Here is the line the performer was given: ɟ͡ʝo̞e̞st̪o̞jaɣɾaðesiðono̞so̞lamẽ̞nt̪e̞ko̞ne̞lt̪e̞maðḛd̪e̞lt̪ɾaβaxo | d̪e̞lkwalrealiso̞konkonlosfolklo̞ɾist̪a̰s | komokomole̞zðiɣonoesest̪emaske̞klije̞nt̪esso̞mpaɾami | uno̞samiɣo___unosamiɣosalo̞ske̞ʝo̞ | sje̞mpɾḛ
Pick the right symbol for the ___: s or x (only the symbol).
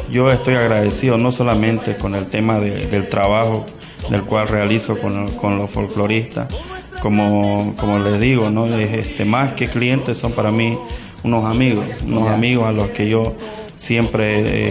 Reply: s